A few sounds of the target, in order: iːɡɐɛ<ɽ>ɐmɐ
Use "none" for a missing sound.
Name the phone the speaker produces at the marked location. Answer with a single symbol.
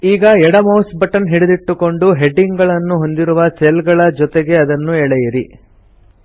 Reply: ɽ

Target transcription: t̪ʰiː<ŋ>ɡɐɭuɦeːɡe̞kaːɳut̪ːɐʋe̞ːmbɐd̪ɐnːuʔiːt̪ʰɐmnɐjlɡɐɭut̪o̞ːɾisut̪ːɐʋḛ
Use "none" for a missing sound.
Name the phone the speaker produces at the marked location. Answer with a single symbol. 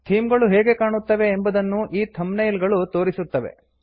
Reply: m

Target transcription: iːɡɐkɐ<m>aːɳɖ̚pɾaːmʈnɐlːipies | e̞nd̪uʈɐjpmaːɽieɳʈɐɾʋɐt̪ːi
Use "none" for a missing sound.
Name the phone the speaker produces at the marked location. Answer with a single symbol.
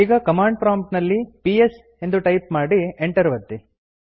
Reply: m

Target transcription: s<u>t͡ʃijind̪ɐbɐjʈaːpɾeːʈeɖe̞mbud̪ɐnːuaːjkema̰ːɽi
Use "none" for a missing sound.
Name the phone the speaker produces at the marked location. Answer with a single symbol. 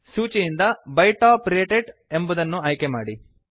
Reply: uː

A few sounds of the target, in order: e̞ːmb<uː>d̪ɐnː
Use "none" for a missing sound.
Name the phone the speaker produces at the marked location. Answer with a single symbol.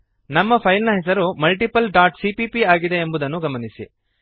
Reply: u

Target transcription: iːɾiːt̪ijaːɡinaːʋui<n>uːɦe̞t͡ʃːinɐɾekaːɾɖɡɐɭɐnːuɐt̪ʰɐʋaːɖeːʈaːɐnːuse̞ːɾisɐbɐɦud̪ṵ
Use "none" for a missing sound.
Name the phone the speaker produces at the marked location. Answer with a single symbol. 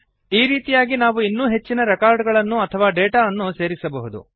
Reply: nː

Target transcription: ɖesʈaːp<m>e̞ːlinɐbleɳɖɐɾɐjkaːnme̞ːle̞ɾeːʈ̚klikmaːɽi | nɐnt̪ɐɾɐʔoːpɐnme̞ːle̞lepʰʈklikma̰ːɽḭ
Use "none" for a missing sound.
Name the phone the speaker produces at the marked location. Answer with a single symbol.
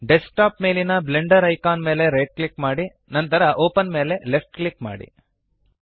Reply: m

